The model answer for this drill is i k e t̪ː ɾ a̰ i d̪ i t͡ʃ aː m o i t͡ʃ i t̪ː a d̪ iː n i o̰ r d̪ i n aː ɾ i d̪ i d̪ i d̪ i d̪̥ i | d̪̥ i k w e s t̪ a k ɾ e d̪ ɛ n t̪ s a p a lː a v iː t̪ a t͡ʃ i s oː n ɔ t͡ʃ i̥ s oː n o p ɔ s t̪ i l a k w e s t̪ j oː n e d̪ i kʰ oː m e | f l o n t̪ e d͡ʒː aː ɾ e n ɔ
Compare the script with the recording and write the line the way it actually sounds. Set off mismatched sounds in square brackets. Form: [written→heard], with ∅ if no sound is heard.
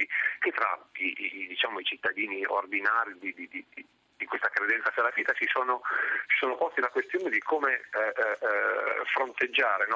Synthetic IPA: i k e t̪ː ɾ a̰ i d̪ i t͡ʃ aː m o i t͡ʃ i t̪ː a d̪ iː n i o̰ r d̪ i n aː ɾ i d̪ i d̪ i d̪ i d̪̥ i | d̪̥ i k w e s t̪ a k ɾ e d̪ ɛ n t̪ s a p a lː a v iː t̪ a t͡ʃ i s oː n [ɔ→o] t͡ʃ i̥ s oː n o p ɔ s t̪ i l a k w e s t̪ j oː n e d̪ i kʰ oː m e | f [l→ɾ] o n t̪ e d͡ʒː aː ɾ e n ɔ